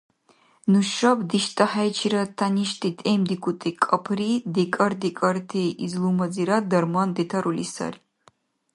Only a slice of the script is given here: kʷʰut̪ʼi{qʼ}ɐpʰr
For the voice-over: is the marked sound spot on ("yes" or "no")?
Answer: no